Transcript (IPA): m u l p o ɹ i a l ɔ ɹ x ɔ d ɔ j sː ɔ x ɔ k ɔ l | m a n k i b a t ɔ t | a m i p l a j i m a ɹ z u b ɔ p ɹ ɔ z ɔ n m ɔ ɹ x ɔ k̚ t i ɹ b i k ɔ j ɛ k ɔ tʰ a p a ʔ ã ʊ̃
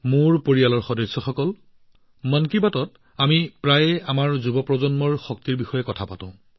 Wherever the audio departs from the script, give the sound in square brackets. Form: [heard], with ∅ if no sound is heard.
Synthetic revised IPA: m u [ɹ] p o ɹ i a l ɔ ɹ x ɔ d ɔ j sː ɔ x ɔ k ɔ l | m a n k i b a t ɔ t | a m i p [ɹ] a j [a] m a ɹ z u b ɔ p ɹ ɔ z ɔ n m ɔ ɹ x ɔ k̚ t i ɹ b i [x] ɔ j ɛ k ɔ tʰ a p a [t] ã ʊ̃